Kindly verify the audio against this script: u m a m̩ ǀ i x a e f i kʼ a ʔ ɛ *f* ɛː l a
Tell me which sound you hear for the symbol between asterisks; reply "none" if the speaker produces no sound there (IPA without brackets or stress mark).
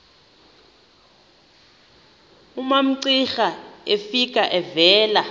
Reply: v